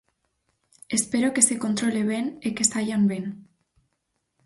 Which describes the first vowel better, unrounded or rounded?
unrounded